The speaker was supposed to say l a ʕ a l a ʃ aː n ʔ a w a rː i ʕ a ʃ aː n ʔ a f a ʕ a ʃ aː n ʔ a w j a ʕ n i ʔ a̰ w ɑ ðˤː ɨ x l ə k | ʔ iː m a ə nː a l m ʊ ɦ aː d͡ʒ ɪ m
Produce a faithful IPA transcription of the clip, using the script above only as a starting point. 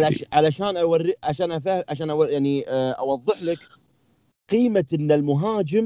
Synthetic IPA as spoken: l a ʕ a l a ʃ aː n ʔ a w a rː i ʕ a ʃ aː n ʔ a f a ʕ a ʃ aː n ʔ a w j a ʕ n i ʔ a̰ w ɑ ðˤː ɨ ħ l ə k | q iː m a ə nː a l m ʊ ɦ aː d͡ʒ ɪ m